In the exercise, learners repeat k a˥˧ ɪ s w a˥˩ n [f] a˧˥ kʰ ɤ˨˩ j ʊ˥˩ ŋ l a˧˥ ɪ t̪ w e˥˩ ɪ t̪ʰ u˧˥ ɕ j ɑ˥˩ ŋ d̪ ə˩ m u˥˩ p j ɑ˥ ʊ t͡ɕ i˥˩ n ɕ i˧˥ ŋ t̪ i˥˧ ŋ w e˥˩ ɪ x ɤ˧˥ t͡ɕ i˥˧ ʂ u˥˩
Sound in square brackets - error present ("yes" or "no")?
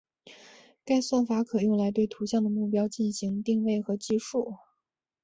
no